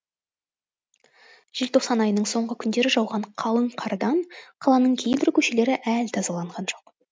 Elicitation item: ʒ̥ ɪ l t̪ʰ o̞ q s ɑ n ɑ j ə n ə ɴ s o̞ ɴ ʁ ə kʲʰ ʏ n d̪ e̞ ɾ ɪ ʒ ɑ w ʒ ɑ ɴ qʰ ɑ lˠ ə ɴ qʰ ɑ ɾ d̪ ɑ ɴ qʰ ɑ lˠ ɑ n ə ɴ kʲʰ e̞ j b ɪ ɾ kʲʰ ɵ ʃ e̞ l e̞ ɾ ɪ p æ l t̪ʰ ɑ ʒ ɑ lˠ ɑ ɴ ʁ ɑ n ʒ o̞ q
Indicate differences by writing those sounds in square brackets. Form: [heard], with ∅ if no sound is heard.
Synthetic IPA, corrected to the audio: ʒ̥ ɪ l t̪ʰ o̞ q s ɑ n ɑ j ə n ə ɴ s o̞ ɴ ʁ ə kʲʰ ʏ n d̪ e̞ ɾ ɪ ʒ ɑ w [ʁ] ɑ ɴ qʰ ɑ lˠ ə ɴ qʰ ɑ ɾ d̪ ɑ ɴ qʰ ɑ lˠ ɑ n ə ɴ kʲʰ e̞ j b ɪ ɾ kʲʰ ɵ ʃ e̞ l e̞ ɾ ɪ [ʔ] æ l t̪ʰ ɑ [z] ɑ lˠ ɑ ɴ ʁ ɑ n ʒ o̞ q